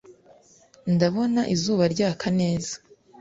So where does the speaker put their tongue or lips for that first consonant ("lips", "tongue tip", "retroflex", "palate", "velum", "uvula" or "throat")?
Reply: tongue tip